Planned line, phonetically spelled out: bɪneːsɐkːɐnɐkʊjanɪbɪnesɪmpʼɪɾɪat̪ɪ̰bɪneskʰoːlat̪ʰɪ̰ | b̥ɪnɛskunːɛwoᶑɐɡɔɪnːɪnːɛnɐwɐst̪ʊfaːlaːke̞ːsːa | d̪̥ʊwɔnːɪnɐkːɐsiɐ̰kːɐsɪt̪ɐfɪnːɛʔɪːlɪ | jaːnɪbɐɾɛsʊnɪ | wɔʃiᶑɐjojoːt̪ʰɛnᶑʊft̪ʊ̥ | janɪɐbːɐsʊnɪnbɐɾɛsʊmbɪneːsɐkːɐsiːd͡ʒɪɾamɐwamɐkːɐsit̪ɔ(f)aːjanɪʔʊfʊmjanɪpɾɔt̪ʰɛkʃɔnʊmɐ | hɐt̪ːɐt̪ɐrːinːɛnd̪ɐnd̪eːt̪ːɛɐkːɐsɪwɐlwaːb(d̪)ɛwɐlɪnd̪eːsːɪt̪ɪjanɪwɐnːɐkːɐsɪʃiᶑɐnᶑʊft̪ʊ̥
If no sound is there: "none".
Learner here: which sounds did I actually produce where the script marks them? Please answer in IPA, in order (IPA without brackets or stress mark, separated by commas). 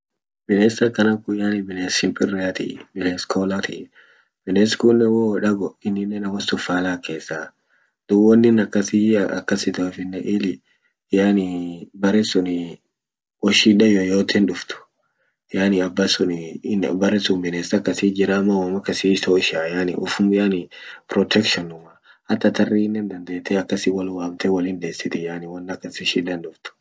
ʃ, t̪